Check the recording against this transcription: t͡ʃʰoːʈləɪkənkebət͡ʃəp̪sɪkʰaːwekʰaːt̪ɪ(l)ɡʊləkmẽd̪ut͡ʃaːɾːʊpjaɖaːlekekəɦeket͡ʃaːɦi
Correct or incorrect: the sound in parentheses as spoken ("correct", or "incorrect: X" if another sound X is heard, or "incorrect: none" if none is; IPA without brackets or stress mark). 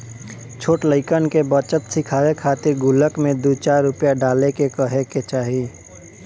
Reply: incorrect: ɾ